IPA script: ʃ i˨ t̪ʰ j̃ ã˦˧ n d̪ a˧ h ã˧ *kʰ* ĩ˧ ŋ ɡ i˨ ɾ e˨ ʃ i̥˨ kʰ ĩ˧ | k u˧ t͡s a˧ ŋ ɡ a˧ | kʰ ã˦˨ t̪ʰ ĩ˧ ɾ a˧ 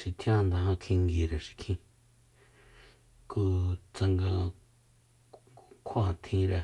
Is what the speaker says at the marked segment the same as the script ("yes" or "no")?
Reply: yes